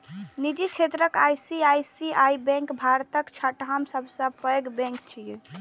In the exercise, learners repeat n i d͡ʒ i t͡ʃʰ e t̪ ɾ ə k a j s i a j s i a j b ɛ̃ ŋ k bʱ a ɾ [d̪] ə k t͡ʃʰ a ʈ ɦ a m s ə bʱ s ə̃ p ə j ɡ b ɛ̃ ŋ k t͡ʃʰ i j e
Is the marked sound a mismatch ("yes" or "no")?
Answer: yes